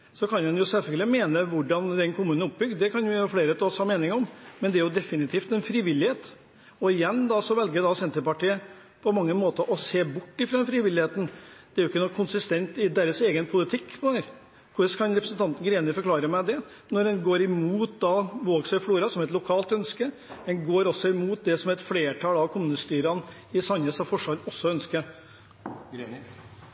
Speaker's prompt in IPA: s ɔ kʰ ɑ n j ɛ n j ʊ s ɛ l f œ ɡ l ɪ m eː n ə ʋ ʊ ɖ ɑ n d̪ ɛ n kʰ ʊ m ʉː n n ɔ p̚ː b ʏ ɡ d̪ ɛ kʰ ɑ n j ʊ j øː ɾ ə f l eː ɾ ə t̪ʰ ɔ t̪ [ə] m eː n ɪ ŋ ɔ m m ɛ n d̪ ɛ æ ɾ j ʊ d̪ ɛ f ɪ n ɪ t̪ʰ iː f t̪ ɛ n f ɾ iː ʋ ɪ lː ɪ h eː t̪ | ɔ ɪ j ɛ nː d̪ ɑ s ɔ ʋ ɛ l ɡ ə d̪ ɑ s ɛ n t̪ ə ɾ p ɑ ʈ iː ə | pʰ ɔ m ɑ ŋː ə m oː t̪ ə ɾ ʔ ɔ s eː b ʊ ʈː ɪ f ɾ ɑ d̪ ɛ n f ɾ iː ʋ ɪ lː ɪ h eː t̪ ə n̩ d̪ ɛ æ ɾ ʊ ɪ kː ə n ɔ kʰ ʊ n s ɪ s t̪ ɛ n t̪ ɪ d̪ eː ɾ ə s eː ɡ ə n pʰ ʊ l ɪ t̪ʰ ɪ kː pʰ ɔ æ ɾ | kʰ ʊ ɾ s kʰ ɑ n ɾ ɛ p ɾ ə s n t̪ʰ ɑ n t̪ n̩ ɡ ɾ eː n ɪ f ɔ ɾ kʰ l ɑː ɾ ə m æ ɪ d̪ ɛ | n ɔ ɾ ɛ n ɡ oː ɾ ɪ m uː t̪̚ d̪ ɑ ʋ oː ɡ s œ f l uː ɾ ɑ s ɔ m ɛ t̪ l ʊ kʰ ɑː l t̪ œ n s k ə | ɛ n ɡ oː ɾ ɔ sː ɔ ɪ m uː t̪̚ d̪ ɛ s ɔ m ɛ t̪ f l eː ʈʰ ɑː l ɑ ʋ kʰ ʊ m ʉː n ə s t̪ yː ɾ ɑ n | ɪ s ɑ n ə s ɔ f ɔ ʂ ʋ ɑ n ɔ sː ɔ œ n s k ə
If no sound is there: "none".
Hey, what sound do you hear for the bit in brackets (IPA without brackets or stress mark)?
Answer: ɑ